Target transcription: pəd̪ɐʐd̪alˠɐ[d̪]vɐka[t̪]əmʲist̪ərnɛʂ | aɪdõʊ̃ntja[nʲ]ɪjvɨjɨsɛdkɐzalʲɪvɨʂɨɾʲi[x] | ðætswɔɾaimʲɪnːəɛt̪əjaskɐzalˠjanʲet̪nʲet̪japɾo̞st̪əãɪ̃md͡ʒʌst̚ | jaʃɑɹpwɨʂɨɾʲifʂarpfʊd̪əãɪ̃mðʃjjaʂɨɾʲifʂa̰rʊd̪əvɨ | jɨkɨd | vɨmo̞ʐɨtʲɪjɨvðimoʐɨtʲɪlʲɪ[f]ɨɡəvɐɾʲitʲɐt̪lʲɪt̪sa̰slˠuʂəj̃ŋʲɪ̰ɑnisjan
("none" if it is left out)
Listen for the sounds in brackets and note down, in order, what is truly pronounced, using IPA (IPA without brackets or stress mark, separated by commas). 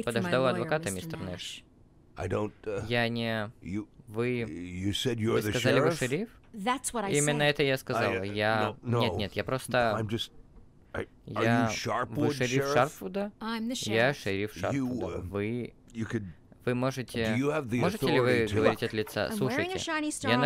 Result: d̪, t̪, nʲ, f, v